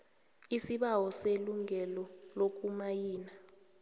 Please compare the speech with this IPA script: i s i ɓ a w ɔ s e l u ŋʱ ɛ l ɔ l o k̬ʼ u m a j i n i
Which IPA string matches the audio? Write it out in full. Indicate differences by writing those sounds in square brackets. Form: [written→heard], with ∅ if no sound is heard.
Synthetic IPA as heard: i s i ɓ a w ɔ s e l u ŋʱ ɛ l ɔ l o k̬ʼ u m a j [i→iː] n [i→a]